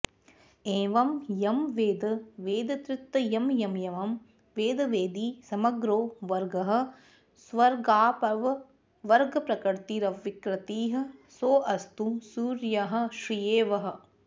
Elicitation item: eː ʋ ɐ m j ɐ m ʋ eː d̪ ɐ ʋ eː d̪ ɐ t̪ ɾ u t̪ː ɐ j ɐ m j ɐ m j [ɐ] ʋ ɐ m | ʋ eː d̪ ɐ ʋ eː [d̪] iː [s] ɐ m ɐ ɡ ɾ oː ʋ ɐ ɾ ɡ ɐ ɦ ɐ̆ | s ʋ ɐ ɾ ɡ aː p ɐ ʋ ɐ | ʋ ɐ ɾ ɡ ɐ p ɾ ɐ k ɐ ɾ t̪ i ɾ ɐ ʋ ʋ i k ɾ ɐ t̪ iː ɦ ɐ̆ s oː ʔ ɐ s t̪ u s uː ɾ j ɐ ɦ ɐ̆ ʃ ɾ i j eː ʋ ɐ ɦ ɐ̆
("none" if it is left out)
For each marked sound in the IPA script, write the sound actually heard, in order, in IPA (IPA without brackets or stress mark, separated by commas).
ɐ, d̪, s